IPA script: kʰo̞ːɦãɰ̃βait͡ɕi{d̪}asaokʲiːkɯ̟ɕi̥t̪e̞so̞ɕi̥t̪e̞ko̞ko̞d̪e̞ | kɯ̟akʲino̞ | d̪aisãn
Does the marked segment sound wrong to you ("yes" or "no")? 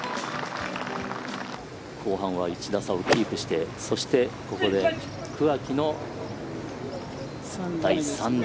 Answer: no